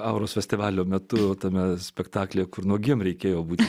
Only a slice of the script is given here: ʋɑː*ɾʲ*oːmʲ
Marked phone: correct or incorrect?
incorrect